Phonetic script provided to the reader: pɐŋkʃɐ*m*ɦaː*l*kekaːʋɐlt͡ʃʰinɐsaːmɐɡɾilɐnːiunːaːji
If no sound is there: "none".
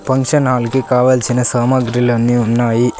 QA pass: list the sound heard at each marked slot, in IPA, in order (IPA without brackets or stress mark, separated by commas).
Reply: n, l